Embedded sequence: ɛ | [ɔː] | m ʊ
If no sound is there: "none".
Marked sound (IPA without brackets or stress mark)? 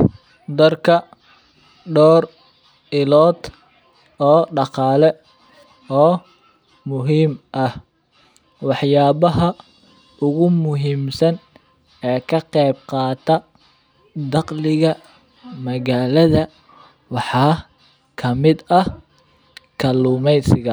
ɔː